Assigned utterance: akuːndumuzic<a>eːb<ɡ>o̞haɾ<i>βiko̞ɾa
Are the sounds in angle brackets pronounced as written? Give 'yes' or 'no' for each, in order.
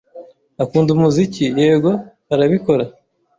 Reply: no, yes, no

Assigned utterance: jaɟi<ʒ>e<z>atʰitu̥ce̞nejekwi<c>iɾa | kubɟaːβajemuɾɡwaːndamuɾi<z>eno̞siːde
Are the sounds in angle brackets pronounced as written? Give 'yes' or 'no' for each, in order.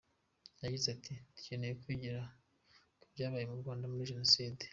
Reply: no, no, no, no

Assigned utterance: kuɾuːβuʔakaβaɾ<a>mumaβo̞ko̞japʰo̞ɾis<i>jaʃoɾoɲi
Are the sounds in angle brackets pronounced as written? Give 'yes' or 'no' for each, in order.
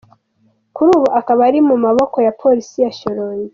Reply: no, yes

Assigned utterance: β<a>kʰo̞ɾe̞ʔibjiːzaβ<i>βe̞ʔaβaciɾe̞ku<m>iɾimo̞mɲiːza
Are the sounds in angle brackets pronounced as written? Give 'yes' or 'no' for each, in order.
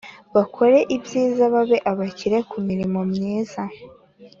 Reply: yes, no, yes

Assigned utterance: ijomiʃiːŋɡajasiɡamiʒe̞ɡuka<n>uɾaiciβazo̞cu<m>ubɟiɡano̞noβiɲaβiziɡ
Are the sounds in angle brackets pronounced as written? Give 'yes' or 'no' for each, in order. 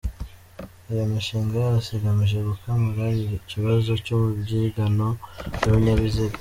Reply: no, yes

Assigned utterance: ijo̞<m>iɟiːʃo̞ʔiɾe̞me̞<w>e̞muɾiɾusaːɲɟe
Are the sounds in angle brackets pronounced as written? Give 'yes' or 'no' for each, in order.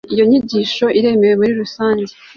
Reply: no, yes

